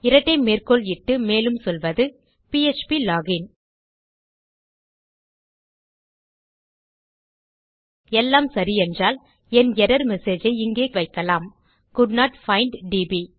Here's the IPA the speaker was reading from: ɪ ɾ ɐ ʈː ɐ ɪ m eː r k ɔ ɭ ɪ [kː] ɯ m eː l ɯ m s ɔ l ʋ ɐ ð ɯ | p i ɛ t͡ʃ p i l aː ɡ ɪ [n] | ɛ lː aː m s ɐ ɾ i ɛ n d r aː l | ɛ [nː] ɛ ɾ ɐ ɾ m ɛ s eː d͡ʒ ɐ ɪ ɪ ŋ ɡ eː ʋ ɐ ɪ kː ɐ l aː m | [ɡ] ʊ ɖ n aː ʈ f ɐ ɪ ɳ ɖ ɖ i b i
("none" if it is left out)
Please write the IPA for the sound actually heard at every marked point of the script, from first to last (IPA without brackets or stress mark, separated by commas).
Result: ʈː, n, n, k